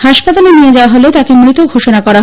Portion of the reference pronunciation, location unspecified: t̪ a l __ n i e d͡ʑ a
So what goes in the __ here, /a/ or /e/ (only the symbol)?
e